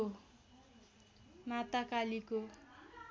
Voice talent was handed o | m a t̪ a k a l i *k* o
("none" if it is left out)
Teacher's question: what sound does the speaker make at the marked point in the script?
k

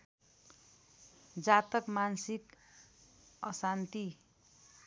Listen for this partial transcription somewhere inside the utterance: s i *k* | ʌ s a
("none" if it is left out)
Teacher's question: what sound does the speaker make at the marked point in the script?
k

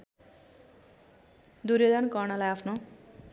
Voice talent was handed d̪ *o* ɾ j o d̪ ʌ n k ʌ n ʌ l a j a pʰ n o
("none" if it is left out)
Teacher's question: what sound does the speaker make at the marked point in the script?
u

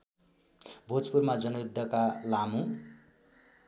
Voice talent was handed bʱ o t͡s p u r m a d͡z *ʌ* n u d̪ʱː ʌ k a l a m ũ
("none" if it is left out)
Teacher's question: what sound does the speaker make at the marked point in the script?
ʌ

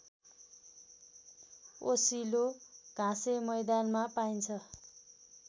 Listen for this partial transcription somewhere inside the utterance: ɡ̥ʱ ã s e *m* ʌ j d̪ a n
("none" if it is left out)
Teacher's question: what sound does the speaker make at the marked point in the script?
m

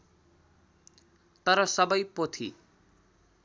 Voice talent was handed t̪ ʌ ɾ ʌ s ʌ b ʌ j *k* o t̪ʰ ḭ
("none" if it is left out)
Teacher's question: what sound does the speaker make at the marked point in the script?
p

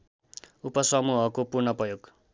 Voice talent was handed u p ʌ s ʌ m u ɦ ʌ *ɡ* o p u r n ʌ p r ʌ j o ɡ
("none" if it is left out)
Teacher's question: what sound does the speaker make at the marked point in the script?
k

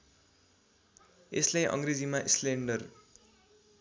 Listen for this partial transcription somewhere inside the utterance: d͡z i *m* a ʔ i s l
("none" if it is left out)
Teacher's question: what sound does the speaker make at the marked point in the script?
m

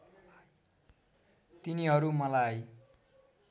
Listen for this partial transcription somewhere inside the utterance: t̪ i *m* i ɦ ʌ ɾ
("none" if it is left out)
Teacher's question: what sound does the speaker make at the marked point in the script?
n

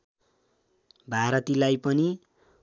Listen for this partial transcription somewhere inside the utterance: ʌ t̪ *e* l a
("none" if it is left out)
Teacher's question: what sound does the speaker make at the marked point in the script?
i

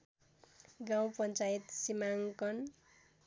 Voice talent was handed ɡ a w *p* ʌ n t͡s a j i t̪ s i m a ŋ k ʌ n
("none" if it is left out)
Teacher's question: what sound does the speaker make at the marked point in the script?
p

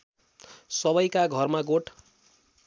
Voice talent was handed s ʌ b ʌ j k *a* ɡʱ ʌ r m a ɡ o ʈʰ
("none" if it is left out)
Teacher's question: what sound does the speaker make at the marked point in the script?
a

